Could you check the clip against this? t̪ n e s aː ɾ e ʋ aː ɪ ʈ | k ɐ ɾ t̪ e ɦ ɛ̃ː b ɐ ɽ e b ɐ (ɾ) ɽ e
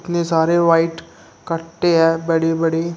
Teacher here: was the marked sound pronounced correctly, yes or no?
no